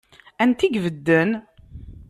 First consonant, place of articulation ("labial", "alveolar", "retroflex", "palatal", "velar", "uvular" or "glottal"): alveolar